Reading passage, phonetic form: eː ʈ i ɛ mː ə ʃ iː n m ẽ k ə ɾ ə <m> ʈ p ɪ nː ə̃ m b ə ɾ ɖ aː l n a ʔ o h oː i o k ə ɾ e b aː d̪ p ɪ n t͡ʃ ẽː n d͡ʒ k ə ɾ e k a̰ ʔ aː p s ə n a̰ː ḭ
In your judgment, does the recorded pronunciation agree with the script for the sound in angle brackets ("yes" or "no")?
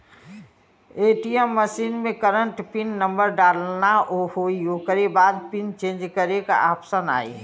no